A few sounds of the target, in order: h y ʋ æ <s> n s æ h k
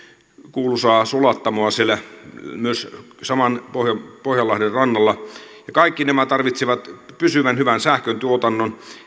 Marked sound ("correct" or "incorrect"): incorrect